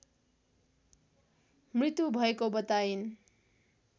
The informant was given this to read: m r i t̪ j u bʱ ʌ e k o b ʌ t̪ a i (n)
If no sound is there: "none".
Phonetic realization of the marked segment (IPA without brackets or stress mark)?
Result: n